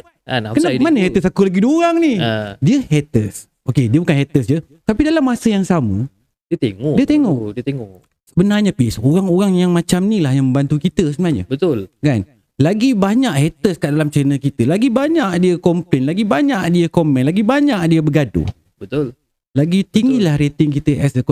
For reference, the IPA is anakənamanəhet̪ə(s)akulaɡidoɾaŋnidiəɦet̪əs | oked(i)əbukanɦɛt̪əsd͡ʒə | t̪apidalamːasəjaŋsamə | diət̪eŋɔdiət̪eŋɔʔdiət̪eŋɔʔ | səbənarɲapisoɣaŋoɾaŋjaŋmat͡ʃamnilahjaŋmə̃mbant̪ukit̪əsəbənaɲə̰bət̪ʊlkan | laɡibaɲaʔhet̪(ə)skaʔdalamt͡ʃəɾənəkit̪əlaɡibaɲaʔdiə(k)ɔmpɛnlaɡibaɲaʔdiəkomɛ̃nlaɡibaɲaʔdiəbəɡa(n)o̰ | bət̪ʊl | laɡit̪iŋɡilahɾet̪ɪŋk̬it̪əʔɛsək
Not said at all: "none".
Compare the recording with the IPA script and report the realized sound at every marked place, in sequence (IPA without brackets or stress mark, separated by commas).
s, i, ə, k, d